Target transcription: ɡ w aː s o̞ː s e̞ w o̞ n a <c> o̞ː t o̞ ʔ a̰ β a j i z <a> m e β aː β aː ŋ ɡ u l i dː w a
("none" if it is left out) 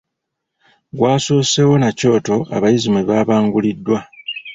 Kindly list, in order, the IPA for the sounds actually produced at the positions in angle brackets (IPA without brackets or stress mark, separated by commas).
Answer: c, i